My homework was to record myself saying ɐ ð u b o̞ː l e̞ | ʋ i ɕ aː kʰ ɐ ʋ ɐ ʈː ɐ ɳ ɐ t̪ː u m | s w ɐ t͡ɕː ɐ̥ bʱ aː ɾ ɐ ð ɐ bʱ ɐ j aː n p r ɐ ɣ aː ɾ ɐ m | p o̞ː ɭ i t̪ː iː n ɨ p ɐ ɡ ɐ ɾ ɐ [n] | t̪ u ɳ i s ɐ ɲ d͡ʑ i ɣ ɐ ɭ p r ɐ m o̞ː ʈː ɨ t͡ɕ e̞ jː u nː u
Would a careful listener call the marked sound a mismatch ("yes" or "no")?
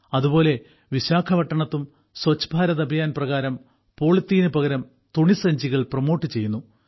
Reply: yes